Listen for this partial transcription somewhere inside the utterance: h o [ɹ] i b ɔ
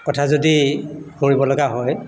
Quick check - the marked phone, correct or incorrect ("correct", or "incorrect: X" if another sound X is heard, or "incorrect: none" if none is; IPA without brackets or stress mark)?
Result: correct